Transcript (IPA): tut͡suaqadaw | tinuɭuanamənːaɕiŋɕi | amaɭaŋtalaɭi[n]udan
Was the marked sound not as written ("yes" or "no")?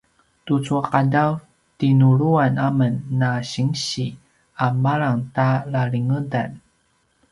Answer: yes